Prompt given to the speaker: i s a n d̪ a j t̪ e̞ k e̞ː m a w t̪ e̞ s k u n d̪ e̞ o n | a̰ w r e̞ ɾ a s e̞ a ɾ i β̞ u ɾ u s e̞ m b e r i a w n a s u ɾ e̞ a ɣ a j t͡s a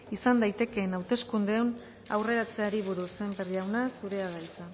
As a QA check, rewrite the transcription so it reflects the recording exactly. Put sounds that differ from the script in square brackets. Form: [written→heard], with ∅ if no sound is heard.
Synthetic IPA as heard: i s a n d̪ a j t̪ e̞ k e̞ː [m→n] a w t̪ e̞ s k u n d̪ e̞ o n | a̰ w r e̞ ɾ a [s→t͡s] e̞ a ɾ i β̞ u ɾ u s e̞ m b e r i a w n a s u ɾ e̞ a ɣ a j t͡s a